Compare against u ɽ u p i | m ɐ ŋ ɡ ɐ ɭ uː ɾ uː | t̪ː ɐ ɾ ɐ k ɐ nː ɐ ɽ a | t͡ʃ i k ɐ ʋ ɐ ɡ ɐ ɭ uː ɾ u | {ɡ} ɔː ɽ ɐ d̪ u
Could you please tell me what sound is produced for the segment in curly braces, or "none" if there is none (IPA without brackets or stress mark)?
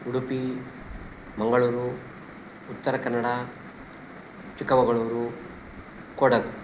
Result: k